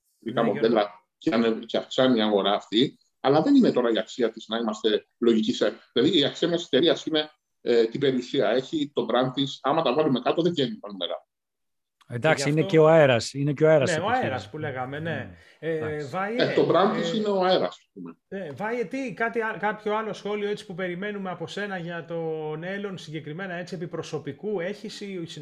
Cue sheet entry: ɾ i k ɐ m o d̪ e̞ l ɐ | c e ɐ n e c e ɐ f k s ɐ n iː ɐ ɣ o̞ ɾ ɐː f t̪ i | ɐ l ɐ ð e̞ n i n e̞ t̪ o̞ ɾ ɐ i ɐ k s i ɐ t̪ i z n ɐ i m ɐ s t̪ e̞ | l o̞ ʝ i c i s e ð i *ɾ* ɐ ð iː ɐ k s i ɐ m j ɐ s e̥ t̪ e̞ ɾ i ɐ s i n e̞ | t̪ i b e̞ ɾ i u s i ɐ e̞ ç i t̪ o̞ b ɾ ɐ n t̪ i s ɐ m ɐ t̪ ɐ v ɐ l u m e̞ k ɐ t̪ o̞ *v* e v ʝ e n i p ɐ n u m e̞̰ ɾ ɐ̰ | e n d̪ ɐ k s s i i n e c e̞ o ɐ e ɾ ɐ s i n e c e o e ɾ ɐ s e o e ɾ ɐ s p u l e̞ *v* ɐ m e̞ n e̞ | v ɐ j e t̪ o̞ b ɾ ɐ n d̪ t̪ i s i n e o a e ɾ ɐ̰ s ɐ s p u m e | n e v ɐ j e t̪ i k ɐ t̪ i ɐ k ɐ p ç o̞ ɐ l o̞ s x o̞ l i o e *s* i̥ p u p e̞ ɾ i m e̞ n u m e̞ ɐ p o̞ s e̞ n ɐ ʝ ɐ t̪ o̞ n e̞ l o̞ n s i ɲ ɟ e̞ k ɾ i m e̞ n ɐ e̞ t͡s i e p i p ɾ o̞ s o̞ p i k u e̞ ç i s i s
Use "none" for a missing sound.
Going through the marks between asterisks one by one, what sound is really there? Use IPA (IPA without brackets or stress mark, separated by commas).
l, ð, ɣ, t͡s